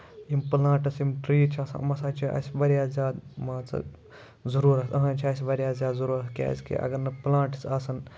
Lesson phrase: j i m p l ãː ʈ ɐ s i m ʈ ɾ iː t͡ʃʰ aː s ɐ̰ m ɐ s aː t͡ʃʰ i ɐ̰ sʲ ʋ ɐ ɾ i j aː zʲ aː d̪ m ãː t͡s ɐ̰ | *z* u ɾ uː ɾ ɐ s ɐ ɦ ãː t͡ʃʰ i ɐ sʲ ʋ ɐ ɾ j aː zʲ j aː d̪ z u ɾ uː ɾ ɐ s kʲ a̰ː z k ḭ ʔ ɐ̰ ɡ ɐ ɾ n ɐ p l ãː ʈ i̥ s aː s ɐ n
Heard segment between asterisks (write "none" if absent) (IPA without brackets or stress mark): z